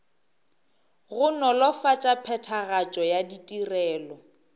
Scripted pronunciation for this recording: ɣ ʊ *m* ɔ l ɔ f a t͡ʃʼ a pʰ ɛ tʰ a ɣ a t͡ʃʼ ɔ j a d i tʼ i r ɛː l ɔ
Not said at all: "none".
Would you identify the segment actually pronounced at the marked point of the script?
n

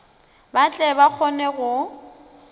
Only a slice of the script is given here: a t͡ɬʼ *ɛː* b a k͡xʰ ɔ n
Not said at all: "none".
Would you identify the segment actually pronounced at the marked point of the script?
ɛ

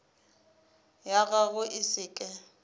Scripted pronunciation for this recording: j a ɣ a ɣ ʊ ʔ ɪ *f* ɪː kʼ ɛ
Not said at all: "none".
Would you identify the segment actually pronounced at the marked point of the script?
s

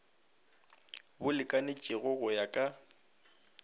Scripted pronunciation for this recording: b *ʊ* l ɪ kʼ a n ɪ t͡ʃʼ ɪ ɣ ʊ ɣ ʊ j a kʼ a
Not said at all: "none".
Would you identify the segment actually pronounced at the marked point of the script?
ʊ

